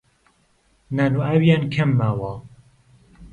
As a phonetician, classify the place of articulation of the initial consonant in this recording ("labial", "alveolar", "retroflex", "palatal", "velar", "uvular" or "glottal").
alveolar